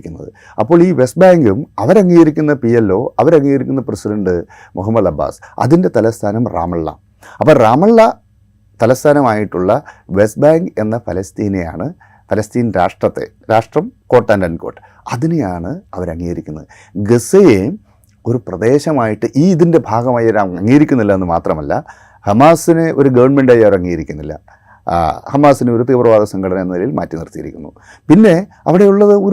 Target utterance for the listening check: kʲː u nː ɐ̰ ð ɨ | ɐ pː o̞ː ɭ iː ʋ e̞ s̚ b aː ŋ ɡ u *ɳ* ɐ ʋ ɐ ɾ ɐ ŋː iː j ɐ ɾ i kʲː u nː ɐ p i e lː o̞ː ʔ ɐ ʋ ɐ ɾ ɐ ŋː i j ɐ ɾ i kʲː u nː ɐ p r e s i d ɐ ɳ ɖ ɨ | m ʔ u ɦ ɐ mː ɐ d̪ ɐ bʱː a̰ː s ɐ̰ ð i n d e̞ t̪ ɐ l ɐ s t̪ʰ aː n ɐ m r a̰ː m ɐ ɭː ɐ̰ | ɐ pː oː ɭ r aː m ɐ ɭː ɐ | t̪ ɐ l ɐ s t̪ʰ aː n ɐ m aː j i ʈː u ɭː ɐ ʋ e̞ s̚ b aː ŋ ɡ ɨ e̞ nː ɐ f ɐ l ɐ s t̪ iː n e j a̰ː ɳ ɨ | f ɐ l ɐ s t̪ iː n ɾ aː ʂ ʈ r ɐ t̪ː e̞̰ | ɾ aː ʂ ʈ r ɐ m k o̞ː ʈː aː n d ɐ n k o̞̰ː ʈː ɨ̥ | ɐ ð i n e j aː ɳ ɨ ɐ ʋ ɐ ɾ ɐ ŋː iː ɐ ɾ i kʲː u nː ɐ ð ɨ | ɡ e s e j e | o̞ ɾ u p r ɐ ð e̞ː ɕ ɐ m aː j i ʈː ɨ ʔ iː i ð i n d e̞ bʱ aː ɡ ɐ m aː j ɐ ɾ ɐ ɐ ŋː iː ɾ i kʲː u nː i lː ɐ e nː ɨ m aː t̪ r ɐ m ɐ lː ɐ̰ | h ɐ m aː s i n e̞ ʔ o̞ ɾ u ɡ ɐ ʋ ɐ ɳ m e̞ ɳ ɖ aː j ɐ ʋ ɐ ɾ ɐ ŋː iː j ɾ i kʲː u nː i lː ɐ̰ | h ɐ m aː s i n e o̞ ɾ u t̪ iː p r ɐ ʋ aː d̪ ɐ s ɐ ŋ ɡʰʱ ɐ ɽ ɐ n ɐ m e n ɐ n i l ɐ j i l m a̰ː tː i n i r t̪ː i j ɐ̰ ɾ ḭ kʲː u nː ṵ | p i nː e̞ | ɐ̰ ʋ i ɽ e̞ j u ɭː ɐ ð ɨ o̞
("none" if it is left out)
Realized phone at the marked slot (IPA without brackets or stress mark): m